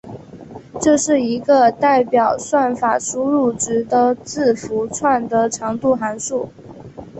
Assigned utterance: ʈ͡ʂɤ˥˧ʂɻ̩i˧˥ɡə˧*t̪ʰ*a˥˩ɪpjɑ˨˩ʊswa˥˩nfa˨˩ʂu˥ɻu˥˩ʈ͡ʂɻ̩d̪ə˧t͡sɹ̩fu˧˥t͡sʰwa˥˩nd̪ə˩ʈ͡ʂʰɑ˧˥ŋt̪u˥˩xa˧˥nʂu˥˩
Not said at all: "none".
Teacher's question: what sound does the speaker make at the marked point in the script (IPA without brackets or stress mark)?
t̪